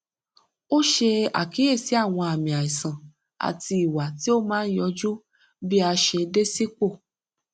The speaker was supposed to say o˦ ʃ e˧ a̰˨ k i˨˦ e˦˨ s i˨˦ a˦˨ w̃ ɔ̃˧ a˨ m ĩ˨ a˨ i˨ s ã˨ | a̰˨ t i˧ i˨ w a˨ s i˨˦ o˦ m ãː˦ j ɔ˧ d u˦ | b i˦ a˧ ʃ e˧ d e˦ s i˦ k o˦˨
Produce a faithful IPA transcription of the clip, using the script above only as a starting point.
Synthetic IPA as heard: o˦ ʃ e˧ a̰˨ k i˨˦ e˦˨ s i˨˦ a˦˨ w̃ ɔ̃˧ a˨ m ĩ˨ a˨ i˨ s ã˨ | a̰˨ t i˧ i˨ w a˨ t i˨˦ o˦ m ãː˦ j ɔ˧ d͡ʒ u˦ | b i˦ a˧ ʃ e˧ d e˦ s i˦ k͡p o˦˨